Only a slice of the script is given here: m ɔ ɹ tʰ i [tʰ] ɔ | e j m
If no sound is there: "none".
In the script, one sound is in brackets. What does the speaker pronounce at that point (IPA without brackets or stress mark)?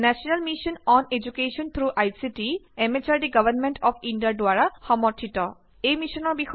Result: t